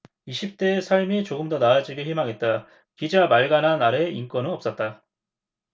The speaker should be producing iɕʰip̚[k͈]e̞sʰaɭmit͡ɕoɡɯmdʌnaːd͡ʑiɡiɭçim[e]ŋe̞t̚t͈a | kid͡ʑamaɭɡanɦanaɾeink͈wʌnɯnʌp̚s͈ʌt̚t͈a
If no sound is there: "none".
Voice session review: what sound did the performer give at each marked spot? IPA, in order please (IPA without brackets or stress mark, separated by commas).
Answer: t͈, a